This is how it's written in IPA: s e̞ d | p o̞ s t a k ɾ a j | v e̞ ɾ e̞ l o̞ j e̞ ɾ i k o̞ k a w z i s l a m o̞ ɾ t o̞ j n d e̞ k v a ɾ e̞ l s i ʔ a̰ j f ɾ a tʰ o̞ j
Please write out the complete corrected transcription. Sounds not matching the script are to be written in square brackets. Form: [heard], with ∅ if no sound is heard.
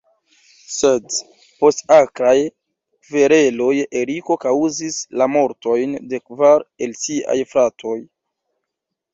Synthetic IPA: s e̞ d | p o̞ s t a k ɾ a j | v e̞ ɾ e̞ l o̞ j e̞ ɾ i k o̞ k a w z i s l a m o̞ ɾ t o̞ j n d e̞ k v a ɾ e̞ l s i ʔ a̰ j f ɾ a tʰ o̞ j